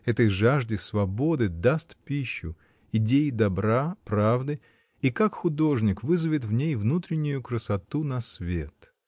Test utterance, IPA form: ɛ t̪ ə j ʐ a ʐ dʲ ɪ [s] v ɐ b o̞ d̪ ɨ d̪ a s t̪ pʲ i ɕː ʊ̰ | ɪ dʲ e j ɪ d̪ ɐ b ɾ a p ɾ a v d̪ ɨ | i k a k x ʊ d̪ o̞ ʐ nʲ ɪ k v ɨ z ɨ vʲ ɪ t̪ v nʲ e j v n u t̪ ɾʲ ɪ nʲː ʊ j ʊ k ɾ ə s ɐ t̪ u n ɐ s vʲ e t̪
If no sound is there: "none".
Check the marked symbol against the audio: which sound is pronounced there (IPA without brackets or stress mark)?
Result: s